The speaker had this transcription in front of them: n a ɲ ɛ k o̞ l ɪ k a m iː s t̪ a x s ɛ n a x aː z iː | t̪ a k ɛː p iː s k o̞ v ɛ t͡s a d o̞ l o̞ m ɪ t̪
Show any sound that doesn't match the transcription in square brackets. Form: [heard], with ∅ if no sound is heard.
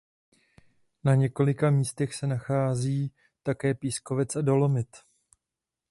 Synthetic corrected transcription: n a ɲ ɛ k o̞ l ɪ k a m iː s t̪ [ɛ] x s ɛ n a x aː z iː | t̪ a k ɛː p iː s k o̞ v ɛ t͡s a d o̞ l o̞ m ɪ t̪